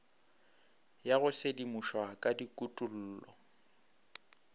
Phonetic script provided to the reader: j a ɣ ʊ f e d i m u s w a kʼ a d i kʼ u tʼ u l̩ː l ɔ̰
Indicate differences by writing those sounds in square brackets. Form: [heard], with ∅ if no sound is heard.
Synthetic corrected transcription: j a ɣ ʊ [s] e d i m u [ʃ] w a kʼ a d i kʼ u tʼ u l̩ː l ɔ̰